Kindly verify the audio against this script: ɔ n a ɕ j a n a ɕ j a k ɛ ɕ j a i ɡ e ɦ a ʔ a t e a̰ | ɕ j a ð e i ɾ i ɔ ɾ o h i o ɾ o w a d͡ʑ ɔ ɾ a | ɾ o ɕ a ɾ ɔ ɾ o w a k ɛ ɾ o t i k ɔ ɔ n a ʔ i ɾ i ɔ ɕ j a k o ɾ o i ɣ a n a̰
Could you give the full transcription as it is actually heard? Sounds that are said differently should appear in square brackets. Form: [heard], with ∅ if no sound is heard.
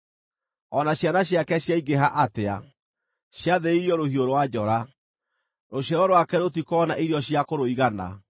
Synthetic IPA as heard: ɔ n a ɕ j a n a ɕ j a k ɛ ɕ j a i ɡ e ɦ a ʔ a t e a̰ | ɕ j a ð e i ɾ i ɔ ɾ o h i o ɾ o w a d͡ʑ ɔ ɾ a | ɾ o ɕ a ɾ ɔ ɾ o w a k ɛ ɾ o t i k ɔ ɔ n a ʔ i ɾ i ɔ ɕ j a k o ɾ o i ɣ a n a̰